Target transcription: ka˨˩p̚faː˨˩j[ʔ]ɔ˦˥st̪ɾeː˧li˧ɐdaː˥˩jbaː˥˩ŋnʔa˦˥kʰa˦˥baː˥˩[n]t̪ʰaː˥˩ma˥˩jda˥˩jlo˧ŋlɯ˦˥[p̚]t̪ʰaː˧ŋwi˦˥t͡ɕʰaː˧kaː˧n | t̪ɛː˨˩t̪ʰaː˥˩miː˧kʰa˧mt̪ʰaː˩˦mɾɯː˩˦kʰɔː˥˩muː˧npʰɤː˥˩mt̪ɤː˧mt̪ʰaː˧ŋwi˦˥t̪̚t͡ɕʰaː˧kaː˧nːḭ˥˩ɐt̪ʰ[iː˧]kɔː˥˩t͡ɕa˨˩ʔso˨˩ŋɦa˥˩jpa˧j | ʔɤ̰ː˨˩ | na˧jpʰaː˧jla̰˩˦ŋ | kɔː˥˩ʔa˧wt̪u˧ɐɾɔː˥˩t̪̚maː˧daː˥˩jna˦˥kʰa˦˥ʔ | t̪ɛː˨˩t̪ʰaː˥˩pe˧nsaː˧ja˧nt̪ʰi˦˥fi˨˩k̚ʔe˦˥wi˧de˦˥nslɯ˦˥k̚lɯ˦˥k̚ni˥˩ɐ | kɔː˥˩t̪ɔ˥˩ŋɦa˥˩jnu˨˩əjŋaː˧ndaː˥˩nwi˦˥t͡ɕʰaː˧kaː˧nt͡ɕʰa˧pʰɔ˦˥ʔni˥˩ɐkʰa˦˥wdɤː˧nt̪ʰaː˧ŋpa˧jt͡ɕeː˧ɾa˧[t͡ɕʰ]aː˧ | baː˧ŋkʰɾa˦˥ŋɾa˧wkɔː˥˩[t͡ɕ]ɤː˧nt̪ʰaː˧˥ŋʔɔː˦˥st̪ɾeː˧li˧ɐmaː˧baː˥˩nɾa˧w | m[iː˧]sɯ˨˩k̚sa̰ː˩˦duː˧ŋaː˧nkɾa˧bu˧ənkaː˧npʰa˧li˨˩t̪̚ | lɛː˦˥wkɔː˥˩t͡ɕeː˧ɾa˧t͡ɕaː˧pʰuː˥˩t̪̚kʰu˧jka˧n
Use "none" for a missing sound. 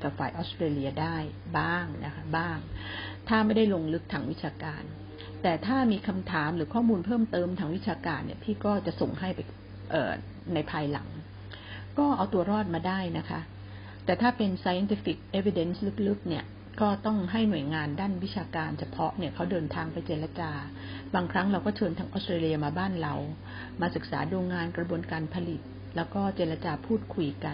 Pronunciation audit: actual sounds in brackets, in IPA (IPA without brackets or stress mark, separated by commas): ʔ, ŋ, k̚, iː˥˩, t͡ɕ, t͡ɕʰ, aː˧